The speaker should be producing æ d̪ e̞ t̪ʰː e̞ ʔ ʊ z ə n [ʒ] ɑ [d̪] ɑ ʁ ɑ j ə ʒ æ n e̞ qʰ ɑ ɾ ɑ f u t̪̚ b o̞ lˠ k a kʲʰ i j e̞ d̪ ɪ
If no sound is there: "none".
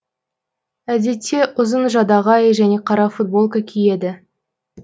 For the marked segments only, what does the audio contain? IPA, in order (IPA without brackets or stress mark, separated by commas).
ʒ, d̪